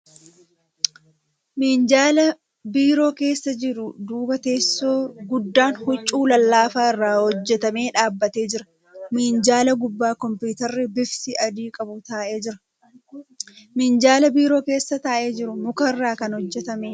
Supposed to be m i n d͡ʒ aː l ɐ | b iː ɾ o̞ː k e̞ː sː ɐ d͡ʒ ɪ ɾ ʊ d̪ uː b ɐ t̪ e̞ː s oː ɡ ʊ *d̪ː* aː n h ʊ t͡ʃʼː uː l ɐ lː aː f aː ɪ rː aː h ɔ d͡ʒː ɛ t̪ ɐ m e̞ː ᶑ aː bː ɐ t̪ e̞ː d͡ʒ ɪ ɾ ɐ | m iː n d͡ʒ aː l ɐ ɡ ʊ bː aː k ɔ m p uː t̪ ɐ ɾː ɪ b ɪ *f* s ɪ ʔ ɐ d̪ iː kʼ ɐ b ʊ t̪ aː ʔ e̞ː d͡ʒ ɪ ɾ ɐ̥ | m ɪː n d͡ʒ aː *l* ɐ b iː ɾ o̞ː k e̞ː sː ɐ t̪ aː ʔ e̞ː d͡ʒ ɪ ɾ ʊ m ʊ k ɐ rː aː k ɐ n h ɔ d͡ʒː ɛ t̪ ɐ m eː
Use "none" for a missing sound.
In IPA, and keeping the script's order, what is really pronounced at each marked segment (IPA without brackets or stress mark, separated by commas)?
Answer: d̪ː, f, l